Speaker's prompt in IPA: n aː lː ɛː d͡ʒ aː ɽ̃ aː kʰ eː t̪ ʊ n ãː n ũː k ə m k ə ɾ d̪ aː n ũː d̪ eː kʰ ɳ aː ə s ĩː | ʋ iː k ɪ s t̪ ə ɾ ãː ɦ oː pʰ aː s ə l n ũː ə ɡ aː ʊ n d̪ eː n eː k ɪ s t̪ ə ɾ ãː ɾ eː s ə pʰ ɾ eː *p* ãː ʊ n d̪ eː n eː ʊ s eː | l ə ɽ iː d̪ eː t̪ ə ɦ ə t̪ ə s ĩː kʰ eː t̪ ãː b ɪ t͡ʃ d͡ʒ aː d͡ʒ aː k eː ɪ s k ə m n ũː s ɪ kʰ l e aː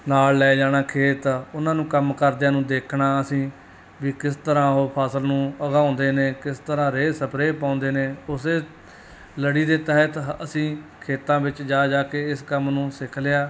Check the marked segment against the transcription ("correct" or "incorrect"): correct